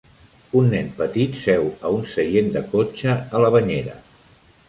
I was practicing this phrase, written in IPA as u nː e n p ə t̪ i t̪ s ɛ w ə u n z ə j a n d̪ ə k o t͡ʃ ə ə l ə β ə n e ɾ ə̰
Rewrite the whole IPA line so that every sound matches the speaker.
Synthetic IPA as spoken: u nː ɛ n p ə t̪ i t̪ s ɛ w ə u n s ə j e n d̪ ə k o t͡ʃ ə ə l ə β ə ɲ e ɾ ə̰